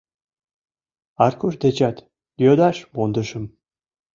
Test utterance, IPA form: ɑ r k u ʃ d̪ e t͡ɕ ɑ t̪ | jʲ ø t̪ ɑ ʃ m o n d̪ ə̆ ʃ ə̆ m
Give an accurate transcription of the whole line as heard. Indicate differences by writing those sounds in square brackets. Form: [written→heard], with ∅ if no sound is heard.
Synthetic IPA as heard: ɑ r k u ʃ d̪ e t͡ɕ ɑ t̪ | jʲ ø [t̪→d̪] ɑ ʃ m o n d̪ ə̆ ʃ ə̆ m